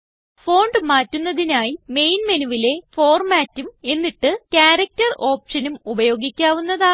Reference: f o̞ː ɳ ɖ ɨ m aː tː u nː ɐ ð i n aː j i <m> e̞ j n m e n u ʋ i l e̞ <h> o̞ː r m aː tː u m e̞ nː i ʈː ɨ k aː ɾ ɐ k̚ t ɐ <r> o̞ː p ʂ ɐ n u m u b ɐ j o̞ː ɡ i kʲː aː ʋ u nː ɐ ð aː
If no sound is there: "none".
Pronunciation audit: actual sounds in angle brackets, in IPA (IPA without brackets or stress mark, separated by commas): m, f, r